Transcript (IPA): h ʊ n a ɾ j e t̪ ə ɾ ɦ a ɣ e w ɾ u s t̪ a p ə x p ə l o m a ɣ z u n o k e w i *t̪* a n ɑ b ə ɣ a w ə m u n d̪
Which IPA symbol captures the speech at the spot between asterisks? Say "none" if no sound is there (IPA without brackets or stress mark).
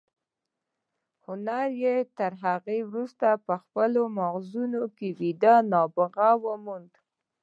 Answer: d̪